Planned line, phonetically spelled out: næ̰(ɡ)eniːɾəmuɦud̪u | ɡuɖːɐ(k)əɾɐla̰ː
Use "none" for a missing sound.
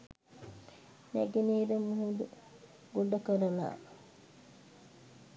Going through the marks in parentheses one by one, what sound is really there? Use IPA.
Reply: ɡ, k

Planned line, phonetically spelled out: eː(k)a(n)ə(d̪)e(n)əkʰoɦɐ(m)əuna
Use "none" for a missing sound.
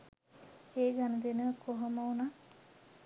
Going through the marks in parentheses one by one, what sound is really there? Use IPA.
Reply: ɡ, n, d̪, n, m

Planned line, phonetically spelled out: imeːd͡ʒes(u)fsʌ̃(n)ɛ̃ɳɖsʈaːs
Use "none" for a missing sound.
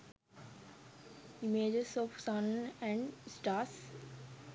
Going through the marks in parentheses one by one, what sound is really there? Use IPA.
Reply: ɔ, n

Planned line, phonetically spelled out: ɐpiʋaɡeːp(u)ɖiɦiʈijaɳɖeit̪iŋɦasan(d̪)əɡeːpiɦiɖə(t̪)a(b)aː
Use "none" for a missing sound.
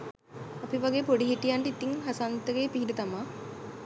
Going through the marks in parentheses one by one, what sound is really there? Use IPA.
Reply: o, t̪, t̪, m

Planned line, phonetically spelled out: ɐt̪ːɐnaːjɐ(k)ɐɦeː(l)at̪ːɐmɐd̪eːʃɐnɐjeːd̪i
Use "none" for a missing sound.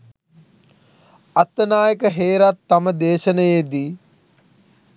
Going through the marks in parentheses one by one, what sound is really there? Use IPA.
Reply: k, ɾ

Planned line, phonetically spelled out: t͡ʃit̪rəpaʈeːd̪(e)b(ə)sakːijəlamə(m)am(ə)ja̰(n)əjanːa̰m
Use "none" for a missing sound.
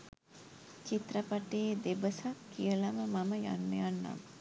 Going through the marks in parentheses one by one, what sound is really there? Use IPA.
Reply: e, ə, m, ə, nː

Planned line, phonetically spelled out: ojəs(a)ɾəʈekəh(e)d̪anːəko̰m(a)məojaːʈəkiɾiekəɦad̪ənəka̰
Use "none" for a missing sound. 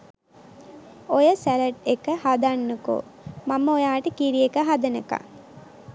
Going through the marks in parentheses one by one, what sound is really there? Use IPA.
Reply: æ, a, a

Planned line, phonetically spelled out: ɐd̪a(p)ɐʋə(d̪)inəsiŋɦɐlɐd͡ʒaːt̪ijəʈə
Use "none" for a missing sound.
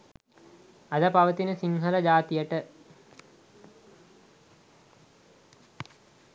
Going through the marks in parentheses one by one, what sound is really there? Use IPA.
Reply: p, t̪

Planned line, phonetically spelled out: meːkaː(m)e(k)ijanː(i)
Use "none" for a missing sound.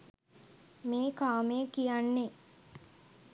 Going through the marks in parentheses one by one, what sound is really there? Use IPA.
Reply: m, k, e

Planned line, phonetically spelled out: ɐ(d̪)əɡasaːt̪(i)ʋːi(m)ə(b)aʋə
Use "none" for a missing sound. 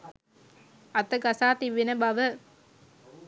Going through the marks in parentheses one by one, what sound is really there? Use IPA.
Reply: t̪, i, n, b

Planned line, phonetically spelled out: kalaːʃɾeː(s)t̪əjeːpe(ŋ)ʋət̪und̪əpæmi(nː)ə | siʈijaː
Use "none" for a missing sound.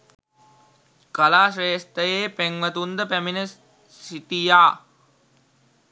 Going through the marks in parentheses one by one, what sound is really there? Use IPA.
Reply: s, ŋ, n

